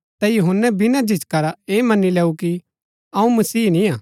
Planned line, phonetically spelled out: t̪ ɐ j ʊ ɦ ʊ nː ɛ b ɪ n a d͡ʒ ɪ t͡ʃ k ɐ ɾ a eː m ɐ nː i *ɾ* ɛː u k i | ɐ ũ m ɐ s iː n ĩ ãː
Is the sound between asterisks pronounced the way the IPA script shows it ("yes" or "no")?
no